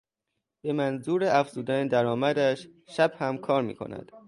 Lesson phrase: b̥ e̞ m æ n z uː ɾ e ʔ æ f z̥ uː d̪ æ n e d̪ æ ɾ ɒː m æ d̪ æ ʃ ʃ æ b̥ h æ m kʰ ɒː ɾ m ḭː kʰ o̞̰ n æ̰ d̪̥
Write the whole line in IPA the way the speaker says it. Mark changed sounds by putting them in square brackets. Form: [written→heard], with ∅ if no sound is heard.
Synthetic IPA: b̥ e̞ m æ n z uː ɾ e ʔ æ f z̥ uː d̪ æ n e d̪ æ ɾ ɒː m æ d̪ æ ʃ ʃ æ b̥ h æ m kʰ ɒː ɾ m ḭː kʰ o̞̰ n æ̰ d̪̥